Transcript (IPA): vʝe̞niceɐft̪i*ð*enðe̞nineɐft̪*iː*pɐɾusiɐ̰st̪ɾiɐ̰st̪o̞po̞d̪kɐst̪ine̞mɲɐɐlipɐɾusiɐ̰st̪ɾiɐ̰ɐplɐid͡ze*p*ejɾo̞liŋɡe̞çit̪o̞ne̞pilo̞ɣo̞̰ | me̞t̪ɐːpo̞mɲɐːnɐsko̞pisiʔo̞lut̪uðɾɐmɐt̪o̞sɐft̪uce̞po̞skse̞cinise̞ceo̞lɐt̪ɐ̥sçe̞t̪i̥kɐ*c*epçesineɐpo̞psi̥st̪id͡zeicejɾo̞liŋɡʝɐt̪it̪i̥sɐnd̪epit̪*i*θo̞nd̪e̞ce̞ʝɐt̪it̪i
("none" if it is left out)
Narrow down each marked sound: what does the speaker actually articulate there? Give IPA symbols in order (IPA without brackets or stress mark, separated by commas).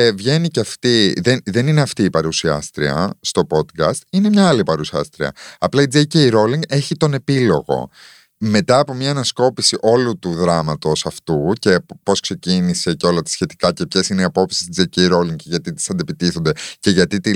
ð, iː, c, c, i